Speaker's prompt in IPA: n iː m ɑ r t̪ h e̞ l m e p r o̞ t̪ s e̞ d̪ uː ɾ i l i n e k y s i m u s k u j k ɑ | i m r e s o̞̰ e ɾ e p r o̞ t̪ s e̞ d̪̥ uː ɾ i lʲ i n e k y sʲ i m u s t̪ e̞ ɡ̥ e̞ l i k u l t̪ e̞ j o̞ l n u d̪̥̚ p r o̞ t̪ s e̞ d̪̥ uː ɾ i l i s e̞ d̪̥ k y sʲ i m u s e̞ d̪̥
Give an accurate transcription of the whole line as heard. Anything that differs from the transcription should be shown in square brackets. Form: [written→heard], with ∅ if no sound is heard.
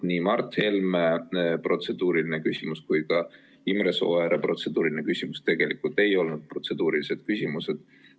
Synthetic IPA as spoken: n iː m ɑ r t̪ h e̞ l m e p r o̞ t̪ s e̞ d̪ uː ɾ i l i n e k y s i m u s k u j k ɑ | i m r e s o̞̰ e ɾ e p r o̞ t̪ s e̞ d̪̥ uː ɾ i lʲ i n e k y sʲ i m u s t̪ e̞ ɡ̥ e̞ l i k u l t̪ e̞ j o̞ l n u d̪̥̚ p r o̞ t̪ s e̞ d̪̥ uː ɾ i l i s e̞ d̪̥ k y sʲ i m u s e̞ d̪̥

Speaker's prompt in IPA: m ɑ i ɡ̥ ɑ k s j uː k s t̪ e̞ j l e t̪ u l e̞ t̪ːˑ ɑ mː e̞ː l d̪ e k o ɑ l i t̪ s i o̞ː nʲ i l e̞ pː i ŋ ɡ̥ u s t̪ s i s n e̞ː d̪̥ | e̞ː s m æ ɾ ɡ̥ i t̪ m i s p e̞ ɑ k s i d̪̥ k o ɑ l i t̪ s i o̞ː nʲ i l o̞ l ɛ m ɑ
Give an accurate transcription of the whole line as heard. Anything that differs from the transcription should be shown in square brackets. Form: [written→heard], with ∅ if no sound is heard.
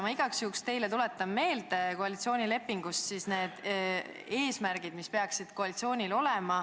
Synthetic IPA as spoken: m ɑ i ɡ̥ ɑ k s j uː k s t̪ e̞ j l e t̪ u l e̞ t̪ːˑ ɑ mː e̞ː l d̪ e k o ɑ l i t̪ s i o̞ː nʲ i l e̞ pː i ŋ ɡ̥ u s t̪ s i s n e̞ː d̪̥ | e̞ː s m æ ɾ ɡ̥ i [t̪→d̪] m i s p e̞ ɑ k s i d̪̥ k o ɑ l i t̪ s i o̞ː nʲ i l o̞ l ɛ m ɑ

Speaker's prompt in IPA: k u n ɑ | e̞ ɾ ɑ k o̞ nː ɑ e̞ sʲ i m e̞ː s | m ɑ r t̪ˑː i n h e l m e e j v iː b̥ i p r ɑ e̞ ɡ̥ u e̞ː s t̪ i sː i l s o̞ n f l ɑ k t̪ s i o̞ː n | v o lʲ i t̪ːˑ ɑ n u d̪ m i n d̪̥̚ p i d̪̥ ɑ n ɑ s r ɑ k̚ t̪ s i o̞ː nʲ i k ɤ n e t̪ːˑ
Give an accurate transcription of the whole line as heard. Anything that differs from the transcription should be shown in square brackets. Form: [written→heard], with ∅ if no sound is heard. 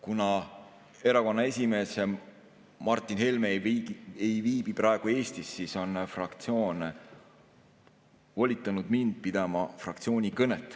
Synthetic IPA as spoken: k u n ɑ | e̞ ɾ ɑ k o̞ nː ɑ e̞ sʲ i m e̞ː s | m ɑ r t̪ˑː i n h e l m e e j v iː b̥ i p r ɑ e̞ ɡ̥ u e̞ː s t̪ i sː i [l→∅] s o̞ n f [l→r] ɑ k t̪ s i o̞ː n | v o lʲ i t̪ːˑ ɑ n u d̪ m i n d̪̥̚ p i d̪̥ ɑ [n→m] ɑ [s→f] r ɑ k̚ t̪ s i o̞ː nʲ i k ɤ n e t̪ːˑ

